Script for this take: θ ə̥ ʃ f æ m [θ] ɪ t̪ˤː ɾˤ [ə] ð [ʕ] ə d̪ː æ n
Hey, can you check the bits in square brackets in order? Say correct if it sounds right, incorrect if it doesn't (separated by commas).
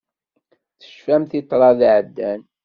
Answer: correct, incorrect, correct